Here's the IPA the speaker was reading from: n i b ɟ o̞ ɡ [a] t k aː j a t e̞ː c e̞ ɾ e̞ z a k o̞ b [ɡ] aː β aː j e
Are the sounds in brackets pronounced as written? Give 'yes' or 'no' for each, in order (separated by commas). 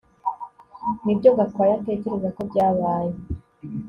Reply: yes, no